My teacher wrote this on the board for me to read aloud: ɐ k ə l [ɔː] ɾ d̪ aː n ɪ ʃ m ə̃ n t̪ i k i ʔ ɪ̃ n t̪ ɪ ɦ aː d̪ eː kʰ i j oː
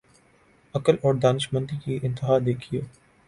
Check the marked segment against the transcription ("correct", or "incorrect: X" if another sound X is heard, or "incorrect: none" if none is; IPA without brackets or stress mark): correct